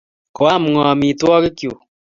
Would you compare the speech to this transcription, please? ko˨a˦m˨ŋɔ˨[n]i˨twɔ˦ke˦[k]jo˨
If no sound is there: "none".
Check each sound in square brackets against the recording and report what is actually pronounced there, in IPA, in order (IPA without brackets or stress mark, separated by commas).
m, k